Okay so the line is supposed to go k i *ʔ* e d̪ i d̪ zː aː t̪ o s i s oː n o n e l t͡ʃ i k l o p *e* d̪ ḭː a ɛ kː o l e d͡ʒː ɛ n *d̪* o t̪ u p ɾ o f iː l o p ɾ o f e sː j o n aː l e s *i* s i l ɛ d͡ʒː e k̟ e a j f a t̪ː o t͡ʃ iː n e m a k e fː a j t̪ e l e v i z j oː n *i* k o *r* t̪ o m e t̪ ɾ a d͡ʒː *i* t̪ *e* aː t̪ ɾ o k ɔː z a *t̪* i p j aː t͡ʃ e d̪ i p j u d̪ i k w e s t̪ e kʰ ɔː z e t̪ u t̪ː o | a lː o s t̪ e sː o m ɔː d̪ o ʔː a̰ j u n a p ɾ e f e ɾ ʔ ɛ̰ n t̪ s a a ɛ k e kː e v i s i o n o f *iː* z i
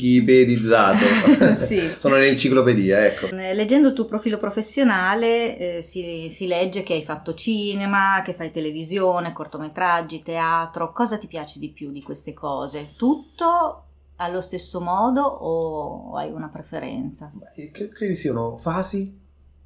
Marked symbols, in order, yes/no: no, yes, yes, yes, no, yes, yes, yes, yes, no

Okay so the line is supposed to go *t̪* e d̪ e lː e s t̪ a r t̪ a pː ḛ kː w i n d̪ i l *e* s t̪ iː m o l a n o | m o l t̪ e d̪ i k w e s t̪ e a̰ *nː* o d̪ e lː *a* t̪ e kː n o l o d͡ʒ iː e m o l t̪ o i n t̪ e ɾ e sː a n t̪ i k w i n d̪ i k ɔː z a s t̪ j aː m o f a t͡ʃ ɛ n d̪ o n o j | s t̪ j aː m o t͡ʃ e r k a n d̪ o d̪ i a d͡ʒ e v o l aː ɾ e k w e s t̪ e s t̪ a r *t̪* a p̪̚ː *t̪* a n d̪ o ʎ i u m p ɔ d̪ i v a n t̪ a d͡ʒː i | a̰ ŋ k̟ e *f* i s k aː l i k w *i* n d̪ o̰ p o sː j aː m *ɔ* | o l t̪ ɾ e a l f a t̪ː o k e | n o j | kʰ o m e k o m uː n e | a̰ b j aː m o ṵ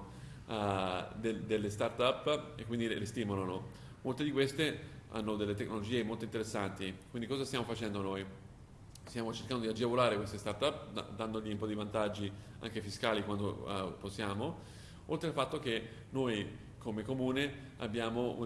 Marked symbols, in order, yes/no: no, yes, yes, no, yes, no, yes, no, no

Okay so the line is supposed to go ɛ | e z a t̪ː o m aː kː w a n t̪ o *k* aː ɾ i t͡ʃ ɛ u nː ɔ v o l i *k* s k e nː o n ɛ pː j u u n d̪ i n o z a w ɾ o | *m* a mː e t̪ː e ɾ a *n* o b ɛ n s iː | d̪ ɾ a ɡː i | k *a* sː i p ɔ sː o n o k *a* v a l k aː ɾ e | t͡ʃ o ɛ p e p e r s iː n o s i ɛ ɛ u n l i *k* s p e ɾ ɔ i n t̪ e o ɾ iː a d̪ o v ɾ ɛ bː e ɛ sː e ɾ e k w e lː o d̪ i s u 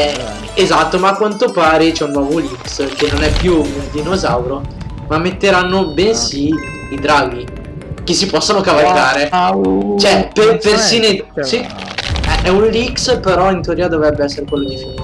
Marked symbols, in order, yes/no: no, yes, yes, no, no, yes, yes

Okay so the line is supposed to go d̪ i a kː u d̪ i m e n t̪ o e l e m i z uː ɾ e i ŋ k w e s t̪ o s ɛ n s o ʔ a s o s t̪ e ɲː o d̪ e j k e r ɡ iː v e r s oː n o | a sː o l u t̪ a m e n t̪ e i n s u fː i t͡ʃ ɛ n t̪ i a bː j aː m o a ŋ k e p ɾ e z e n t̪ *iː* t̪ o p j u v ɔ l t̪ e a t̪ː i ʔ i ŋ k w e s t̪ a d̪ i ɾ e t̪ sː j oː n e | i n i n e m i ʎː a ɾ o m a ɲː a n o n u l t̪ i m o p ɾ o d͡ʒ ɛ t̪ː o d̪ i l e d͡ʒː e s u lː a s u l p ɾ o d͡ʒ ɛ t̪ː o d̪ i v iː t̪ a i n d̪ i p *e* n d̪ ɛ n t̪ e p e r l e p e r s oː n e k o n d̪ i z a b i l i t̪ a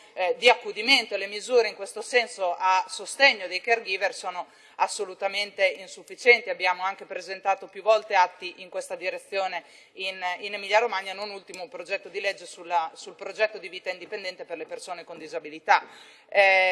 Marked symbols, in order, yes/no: no, yes

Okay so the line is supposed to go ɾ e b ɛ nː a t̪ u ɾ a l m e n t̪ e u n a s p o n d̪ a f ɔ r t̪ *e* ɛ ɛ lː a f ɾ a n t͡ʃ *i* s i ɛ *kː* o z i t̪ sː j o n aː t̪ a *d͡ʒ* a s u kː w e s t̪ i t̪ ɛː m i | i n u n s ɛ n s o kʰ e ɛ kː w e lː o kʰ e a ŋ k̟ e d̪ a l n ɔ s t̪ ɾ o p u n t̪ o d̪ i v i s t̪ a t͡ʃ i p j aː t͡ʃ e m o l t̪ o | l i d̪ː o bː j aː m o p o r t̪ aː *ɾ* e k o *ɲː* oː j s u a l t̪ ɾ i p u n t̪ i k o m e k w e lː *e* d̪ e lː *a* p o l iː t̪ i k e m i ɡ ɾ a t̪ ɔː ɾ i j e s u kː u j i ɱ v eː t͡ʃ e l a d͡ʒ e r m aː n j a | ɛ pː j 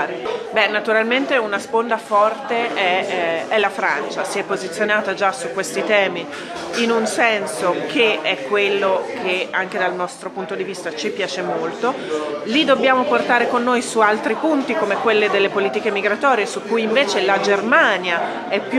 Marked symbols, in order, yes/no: yes, no, no, yes, yes, no, yes, no

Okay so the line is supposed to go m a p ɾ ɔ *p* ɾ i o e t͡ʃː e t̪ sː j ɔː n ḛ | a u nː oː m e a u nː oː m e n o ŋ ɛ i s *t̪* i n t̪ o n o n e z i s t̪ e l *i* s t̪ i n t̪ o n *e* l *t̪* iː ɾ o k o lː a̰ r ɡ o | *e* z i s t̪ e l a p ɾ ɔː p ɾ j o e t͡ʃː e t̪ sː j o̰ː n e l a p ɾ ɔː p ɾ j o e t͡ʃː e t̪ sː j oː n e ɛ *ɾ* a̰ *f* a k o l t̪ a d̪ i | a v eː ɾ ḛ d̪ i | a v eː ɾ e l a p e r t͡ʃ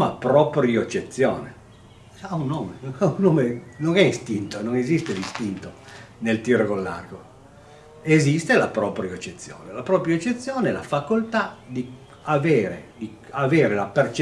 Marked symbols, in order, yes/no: yes, yes, yes, yes, yes, yes, no, yes

